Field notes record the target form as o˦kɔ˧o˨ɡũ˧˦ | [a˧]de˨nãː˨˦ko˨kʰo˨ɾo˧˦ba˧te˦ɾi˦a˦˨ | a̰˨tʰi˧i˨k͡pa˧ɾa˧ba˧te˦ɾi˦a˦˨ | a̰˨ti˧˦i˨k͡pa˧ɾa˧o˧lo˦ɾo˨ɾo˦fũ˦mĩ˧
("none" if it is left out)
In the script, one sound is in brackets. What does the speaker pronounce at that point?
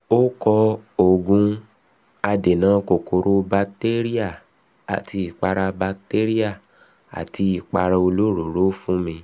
a˧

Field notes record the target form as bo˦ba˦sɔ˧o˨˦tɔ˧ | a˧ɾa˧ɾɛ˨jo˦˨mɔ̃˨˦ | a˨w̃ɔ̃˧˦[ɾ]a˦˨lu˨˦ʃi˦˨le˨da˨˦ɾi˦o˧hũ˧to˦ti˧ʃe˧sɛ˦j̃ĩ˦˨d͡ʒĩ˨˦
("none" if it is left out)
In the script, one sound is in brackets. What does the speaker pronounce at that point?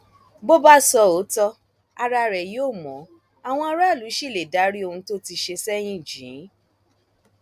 ɾ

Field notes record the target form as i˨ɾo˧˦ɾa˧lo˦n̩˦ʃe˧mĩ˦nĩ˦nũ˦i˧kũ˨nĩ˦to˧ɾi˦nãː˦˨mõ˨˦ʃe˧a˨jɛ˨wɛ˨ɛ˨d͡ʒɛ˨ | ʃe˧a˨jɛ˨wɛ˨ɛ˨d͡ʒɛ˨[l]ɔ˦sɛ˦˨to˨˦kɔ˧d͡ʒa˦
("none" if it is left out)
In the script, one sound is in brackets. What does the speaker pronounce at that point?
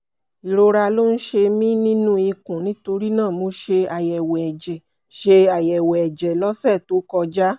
l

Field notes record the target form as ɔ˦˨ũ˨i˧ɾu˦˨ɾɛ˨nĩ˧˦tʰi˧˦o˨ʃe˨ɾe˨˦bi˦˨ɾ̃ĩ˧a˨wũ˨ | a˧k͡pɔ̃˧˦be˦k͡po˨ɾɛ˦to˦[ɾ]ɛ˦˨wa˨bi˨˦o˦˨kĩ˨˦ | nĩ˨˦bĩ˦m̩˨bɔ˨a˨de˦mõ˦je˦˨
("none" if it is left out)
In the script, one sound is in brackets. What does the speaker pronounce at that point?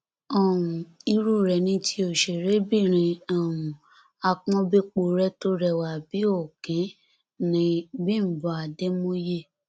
ɾ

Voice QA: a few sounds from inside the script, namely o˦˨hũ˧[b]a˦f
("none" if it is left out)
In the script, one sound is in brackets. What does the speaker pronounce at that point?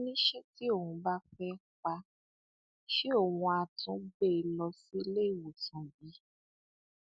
b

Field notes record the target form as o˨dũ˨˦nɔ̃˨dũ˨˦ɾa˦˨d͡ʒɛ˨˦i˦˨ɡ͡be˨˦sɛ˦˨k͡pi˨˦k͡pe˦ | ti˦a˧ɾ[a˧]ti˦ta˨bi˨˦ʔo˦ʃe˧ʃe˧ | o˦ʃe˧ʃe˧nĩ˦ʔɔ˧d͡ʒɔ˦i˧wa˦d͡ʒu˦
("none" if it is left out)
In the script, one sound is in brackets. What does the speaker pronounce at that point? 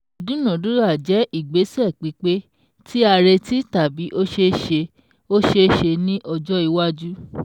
e˧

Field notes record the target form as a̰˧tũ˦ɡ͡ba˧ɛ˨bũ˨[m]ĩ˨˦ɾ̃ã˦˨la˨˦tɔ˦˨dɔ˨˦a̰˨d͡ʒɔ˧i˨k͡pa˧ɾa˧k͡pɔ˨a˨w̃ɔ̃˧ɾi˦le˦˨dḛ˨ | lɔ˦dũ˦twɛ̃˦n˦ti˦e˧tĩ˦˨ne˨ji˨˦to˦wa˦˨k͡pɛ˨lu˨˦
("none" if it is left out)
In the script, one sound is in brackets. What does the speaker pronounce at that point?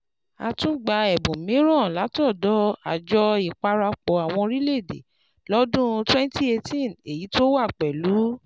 m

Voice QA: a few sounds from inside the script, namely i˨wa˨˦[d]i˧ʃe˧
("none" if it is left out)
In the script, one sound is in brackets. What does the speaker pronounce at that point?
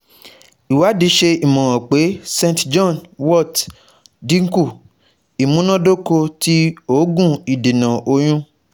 d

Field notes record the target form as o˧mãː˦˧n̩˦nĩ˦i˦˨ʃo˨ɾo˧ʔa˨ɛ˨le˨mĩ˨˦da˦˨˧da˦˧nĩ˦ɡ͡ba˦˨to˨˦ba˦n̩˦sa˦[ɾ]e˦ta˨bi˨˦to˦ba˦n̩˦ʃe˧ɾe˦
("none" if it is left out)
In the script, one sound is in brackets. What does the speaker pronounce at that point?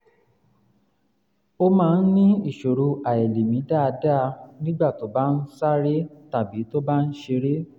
ɾ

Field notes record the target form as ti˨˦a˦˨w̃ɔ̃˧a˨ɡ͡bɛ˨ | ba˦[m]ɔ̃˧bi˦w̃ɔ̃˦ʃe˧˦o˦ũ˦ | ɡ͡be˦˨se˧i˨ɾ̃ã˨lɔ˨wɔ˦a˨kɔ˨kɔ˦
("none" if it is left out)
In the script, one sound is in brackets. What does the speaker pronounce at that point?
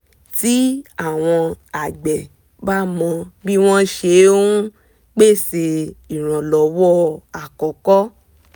m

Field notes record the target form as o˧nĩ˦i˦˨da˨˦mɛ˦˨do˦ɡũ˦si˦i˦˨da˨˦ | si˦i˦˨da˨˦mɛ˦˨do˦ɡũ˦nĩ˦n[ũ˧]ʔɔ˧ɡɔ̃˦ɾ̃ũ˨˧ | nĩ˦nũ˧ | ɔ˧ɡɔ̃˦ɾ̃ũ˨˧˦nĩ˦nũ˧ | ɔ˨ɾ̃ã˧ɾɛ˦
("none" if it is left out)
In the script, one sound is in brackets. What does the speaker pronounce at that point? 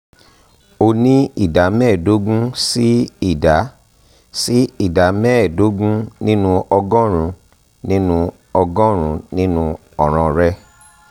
ũ˧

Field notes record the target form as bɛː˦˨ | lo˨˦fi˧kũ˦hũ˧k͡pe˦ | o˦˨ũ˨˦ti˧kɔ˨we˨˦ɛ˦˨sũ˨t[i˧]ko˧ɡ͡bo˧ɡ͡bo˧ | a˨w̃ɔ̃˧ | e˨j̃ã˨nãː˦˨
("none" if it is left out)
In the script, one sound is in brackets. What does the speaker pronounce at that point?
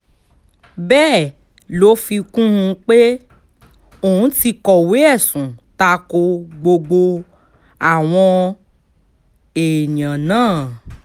a˧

